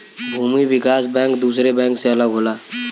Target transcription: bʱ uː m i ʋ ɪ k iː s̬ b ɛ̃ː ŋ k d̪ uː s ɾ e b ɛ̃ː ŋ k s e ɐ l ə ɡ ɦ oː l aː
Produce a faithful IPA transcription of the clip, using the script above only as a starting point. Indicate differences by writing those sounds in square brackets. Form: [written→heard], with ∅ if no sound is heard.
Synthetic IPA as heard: bʱ uː m i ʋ ɪ k [iː→aː] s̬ b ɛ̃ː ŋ k d̪ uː s ɾ e b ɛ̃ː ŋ k s e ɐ l ə ɡ ɦ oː l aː